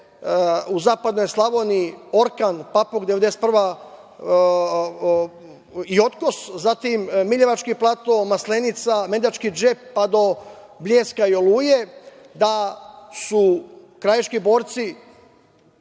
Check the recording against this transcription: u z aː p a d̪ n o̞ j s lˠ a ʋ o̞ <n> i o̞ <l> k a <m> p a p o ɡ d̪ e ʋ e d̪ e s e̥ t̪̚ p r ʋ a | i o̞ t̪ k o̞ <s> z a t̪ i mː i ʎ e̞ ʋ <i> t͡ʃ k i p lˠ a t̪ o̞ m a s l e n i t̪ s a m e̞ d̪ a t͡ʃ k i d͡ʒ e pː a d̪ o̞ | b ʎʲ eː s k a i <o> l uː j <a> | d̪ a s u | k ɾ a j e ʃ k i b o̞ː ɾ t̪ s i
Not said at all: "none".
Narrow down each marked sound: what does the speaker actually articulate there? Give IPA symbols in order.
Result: n, ɾ, n, s, a, o, e

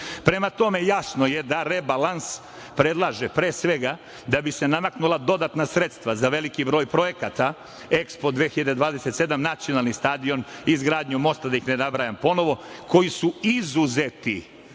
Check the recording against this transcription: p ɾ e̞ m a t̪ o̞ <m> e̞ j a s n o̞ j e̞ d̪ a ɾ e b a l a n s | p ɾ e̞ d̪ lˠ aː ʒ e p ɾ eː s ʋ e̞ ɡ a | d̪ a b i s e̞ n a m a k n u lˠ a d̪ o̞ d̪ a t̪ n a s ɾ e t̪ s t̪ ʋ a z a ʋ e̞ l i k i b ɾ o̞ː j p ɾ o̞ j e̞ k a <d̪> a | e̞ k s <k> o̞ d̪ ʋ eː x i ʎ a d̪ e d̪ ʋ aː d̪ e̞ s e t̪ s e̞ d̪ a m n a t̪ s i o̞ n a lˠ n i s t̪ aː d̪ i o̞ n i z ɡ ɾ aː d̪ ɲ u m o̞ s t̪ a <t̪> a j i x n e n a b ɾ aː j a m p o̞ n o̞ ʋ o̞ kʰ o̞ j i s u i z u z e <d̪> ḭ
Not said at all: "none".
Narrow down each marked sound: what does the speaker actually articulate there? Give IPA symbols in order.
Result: m, t̪, p, d̪, t̪

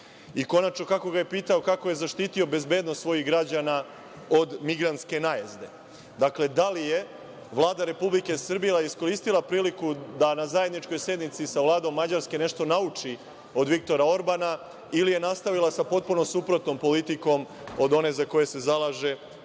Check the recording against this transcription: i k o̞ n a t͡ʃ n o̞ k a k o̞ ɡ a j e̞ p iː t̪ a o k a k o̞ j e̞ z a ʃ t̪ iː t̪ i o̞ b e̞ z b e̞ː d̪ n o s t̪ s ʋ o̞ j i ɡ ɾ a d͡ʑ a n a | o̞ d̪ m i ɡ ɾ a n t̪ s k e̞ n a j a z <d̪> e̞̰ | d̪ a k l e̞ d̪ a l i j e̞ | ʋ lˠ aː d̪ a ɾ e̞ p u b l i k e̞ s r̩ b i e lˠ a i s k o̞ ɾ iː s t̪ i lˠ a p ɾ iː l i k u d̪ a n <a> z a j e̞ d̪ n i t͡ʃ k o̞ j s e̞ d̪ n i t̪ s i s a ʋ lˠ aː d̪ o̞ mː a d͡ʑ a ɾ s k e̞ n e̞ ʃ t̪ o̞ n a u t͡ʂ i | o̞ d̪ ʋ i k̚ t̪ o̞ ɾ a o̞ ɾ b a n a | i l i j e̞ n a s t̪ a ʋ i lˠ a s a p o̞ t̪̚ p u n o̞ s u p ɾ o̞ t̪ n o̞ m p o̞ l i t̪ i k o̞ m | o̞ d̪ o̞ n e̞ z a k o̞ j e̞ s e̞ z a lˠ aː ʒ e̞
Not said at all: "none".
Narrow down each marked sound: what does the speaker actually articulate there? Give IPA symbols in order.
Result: d̪, a

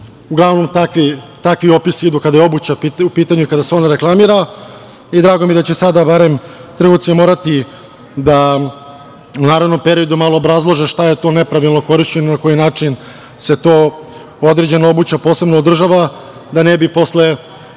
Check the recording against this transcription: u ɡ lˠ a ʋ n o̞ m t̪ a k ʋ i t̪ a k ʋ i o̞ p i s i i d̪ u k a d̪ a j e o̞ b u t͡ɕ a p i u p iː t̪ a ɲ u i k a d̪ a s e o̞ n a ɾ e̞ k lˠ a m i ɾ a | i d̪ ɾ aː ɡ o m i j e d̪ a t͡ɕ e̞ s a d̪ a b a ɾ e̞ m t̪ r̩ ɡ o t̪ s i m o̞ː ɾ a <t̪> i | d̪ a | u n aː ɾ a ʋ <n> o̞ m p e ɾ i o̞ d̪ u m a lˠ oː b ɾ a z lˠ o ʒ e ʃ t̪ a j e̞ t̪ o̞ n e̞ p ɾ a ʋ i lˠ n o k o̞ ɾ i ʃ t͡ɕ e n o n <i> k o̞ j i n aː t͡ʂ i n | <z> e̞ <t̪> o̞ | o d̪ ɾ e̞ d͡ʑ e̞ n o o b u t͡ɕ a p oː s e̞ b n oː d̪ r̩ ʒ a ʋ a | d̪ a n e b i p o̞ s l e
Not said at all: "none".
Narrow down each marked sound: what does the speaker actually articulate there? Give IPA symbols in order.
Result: t̪, n, a, s, t̪

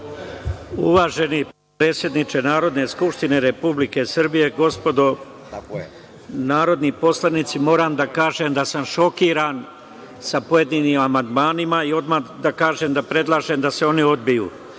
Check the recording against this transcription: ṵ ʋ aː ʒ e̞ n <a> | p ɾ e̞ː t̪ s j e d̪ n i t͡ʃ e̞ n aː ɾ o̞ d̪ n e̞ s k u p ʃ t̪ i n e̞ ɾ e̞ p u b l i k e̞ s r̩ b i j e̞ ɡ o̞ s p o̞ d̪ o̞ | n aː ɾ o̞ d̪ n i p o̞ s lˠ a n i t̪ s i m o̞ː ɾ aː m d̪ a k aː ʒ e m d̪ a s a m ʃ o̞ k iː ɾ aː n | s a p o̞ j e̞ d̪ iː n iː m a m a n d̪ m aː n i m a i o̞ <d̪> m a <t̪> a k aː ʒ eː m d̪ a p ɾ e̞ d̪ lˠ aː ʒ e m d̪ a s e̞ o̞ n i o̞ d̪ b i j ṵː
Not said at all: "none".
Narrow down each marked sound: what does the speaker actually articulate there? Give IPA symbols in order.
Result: i, d̪, d̪

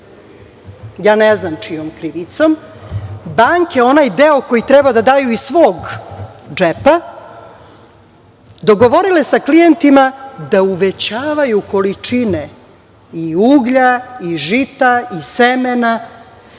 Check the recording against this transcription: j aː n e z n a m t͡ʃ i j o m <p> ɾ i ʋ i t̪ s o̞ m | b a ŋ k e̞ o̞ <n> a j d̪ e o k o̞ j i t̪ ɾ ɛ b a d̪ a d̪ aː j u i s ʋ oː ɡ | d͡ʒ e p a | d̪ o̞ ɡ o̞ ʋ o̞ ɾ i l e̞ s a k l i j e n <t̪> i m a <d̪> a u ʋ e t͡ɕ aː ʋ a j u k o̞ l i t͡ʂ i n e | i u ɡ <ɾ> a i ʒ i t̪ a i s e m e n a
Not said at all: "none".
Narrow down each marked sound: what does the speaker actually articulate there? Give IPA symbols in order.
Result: k, n, t̪, d̪, ʎ

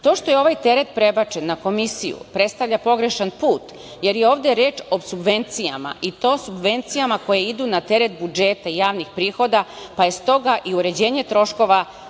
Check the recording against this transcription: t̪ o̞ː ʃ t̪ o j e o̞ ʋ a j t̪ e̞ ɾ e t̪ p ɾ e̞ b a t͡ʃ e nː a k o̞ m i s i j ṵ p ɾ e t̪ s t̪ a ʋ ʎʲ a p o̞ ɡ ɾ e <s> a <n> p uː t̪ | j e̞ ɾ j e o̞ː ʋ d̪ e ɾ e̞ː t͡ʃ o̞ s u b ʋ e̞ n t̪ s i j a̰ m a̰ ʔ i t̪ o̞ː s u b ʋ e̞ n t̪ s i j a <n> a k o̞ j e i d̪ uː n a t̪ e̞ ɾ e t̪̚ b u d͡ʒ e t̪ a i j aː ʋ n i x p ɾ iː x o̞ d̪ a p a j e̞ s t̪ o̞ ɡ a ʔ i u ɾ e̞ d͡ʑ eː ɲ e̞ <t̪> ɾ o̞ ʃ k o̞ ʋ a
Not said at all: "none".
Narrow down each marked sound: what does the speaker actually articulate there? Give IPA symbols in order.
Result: ʃ, n, m, t̪

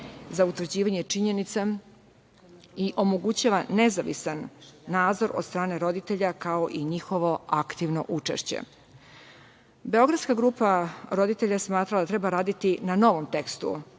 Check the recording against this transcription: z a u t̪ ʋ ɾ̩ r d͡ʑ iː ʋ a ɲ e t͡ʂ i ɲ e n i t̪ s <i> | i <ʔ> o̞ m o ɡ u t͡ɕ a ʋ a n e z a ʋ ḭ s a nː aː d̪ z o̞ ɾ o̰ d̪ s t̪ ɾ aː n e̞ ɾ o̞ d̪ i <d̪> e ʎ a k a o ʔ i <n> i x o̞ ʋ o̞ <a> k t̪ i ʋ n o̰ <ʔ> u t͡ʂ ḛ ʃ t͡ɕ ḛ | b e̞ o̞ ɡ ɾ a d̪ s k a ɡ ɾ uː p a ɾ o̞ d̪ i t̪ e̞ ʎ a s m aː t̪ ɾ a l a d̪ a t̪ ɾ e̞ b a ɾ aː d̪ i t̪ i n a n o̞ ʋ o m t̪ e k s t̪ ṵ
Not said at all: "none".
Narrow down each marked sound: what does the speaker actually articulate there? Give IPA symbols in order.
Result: a, ʔ, t̪, ɲ, a, ʔ

